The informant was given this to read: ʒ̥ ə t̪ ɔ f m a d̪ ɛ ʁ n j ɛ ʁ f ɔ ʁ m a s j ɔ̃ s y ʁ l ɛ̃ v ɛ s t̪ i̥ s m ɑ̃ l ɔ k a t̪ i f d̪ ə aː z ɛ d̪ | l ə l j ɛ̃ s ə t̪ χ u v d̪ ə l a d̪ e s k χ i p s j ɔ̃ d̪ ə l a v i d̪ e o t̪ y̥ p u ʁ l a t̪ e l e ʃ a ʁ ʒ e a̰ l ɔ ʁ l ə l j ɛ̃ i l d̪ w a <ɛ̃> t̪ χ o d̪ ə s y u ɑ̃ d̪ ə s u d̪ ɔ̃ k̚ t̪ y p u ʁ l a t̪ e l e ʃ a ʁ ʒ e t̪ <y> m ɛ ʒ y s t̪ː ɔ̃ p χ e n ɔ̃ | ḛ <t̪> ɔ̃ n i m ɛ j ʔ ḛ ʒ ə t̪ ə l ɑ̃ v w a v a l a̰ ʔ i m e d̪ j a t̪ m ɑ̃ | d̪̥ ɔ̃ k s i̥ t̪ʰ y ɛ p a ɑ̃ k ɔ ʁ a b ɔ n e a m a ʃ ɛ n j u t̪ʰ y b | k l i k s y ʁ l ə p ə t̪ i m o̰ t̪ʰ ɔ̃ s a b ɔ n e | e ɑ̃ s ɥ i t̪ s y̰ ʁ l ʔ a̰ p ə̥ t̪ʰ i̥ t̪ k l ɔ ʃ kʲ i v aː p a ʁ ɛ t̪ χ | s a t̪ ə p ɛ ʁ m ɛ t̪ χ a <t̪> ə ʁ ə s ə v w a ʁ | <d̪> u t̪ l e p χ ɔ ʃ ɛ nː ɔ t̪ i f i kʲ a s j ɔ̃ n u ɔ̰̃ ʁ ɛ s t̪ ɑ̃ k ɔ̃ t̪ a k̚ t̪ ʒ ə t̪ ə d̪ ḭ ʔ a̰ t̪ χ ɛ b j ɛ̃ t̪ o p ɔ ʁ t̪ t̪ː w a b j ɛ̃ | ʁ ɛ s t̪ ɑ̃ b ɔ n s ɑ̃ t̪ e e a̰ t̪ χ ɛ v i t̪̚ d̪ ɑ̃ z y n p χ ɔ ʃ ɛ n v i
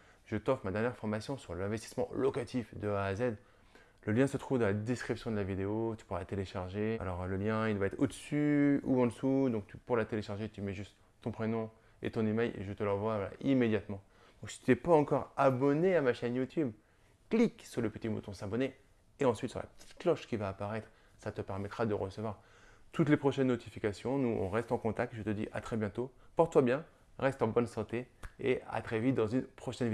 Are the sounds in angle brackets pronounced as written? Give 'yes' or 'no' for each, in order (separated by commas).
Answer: no, yes, yes, no, no